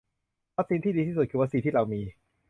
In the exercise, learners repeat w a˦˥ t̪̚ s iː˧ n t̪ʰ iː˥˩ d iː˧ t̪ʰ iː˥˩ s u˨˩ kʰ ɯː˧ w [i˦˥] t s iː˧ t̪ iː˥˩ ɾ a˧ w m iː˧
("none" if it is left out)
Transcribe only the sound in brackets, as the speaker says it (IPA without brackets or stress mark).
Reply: a˦˥